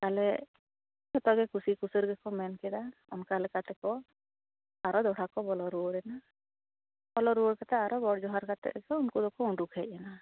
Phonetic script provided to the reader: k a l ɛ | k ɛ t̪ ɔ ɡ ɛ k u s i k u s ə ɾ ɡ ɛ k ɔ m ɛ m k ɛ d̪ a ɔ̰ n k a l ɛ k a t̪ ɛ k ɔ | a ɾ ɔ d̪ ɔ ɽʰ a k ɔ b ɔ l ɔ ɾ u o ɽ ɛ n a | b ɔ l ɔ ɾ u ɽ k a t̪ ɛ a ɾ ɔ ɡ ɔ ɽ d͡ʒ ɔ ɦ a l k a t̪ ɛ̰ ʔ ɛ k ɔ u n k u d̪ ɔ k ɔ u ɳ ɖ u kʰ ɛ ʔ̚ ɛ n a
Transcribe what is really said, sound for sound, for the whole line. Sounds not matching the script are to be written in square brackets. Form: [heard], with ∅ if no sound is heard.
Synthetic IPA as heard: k a l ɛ | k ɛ t̪ ɔ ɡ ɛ k u s i k u s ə ɾ ɡ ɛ k ɔ m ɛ [n] k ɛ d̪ a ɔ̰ n k a l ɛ k a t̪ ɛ k ɔ | a ɾ ɔ d̪ ɔ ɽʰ a k ɔ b ɔ l ɔ ɾ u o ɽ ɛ n a | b ɔ l ɔ ɾ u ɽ k a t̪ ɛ a ɾ ɔ ɡ ɔ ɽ d͡ʒ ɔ ɦ a [ɾ] k a t̪ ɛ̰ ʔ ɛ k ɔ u n k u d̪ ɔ k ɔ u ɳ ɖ u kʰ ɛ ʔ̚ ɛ n a